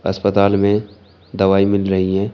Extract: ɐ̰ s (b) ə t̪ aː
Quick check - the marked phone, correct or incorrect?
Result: incorrect